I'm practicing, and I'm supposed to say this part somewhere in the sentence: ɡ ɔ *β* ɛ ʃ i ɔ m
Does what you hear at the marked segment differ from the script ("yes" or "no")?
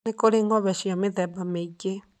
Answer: no